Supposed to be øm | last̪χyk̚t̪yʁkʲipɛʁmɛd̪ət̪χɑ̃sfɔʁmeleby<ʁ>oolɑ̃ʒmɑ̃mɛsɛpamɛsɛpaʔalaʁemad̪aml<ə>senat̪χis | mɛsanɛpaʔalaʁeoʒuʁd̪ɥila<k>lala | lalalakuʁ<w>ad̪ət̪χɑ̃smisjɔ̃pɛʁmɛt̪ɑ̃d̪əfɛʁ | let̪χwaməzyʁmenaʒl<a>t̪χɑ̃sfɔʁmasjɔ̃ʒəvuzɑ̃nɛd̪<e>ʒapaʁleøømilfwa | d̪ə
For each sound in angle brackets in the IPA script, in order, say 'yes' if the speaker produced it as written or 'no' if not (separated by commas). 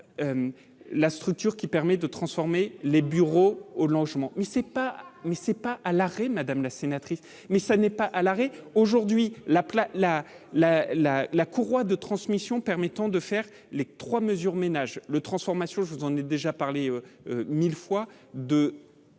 yes, no, no, yes, no, yes